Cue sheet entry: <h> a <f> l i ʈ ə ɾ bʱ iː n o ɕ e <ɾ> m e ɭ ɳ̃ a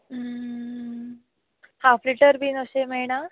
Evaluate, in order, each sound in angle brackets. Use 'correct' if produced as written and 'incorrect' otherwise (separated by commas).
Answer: correct, correct, incorrect